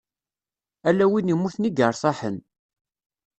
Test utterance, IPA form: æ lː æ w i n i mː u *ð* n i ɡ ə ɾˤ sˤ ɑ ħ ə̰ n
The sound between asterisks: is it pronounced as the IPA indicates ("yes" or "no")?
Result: no